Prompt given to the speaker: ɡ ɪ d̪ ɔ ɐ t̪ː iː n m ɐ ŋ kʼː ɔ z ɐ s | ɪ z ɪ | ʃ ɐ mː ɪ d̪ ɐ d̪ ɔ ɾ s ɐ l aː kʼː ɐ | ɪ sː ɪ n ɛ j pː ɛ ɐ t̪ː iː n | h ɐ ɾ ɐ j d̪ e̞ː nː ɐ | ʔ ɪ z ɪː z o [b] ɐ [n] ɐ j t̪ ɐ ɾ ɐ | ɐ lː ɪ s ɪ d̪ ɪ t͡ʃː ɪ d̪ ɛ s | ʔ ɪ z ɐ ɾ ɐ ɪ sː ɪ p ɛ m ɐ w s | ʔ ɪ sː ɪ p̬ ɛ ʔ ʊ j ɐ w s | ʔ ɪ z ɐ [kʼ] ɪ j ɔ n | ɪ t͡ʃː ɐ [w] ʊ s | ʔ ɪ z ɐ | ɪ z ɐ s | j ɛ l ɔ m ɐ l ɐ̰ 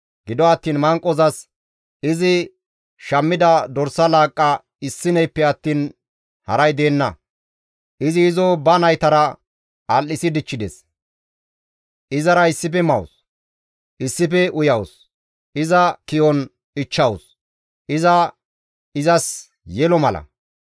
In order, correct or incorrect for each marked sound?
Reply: correct, correct, incorrect, correct

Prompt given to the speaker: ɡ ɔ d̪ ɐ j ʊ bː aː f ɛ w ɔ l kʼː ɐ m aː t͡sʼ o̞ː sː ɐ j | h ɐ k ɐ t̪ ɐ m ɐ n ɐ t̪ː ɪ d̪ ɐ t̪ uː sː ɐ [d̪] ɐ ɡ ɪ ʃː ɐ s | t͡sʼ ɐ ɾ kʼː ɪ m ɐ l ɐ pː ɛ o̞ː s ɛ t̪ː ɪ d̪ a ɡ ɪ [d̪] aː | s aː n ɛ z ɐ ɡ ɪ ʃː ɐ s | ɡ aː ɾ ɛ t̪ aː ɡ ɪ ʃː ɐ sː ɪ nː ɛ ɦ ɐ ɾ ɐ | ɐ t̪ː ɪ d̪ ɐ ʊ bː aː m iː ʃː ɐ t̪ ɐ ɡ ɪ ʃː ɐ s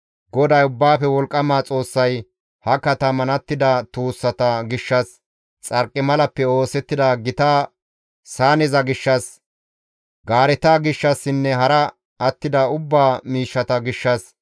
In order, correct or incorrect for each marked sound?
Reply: incorrect, incorrect

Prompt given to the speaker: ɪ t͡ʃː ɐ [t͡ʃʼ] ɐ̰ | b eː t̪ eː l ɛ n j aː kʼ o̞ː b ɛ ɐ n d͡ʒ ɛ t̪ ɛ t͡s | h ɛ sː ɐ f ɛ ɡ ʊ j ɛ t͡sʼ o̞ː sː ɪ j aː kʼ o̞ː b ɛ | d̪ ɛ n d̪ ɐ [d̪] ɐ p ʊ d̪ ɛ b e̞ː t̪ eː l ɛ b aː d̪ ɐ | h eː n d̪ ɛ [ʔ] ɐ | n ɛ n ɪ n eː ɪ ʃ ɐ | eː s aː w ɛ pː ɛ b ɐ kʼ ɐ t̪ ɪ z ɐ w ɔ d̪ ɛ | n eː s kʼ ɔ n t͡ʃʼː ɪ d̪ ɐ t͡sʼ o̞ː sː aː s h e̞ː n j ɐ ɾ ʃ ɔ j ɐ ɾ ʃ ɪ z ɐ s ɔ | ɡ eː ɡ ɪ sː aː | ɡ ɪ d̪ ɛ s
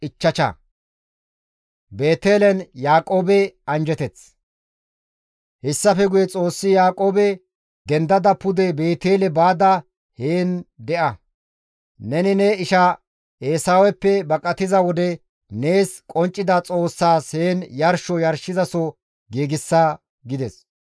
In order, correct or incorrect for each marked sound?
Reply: incorrect, correct, correct

